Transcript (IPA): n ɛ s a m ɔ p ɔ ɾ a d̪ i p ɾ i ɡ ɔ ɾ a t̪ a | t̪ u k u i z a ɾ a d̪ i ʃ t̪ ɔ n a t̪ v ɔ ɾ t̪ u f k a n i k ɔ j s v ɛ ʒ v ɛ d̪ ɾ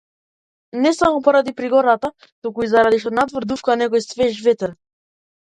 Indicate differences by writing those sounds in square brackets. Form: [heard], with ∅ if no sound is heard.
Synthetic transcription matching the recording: n ɛ s a m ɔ p ɔ ɾ a d̪ i p ɾ i ɡ ɔ ɾ a t̪ a | t̪ u k u i z a ɾ a d̪ i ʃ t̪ ɔ n a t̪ v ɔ ɾ [d̪] u f k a n [ɛ] k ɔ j s v ɛ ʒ v ɛ [t̪] ɾ